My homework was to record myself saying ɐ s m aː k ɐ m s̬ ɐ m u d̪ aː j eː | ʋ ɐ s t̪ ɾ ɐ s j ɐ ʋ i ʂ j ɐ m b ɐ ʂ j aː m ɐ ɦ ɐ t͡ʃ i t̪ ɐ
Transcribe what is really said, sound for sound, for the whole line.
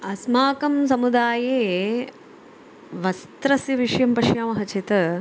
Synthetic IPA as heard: ɐ s m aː k ɐ m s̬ ɐ m u d̪ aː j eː | ʋ ɐ s t̪ ɾ ɐ s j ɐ ʋ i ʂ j ɐ m p ɐ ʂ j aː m ɐ ɦ ɐ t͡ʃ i t̪ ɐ